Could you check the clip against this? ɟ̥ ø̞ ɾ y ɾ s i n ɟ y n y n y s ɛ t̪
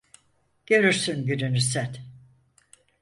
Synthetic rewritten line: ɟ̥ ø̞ ɾ y ɾ s y n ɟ y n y n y s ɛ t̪